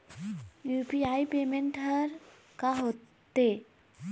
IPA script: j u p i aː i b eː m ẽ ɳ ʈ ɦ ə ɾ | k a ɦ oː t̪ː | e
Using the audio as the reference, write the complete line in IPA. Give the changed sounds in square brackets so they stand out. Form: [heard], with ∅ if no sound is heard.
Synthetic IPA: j u p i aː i [p] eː m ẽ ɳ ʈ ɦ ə ɾ | k a ɦ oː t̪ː | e